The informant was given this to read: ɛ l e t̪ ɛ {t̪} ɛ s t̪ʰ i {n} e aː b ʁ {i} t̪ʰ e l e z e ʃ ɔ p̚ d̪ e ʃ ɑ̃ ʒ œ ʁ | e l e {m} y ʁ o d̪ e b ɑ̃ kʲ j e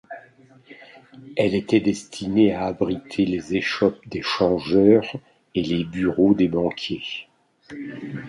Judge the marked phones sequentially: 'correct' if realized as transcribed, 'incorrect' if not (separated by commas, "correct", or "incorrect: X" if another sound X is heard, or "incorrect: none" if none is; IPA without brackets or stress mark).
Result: incorrect: d̪, correct, correct, incorrect: b